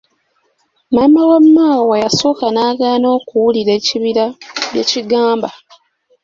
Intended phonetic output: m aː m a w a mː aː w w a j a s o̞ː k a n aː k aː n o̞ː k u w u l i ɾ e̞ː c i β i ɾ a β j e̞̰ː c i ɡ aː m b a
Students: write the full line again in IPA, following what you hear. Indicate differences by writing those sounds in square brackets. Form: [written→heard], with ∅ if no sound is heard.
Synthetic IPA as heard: m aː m a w a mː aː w w a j a s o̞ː k a n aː [k→ɡ] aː n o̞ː k u w u l i ɾ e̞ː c i β i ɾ a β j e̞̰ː c i ɡ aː m b a